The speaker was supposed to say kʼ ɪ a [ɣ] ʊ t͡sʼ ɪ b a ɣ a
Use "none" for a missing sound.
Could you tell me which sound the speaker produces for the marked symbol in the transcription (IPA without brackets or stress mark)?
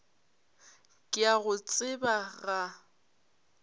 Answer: ɣ